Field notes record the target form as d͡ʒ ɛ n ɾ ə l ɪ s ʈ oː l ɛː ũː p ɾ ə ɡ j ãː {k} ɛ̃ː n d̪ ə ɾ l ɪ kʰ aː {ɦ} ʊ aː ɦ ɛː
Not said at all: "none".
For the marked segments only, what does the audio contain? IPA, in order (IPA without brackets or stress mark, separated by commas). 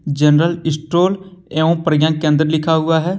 k, ɦ